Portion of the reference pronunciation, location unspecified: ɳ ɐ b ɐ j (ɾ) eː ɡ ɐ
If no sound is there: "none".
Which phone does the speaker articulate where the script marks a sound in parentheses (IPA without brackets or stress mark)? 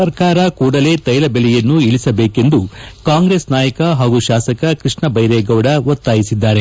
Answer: ɾ